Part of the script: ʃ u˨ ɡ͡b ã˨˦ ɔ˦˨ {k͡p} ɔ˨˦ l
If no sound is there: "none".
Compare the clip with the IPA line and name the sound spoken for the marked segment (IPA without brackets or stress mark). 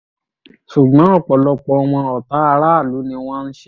k͡p